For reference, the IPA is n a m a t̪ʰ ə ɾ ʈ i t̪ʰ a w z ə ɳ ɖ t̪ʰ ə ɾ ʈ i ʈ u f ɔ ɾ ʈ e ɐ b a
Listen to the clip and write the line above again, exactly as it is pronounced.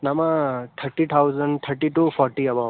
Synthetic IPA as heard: n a m a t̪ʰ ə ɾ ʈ i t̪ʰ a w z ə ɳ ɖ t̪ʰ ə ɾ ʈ i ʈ u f ɔ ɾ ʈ i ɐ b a